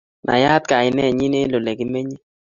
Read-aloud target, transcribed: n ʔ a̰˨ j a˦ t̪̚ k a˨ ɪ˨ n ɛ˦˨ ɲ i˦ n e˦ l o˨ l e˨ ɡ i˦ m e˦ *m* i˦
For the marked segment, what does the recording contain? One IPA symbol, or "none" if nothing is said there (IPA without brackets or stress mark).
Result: ɲ